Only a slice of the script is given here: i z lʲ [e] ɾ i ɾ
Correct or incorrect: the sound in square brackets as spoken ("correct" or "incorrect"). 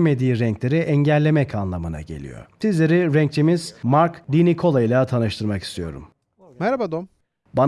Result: correct